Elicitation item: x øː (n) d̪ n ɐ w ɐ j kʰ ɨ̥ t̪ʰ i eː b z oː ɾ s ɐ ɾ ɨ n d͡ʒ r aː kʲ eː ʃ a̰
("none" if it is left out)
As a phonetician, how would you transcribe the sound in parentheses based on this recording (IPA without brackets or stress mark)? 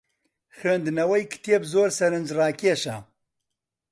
n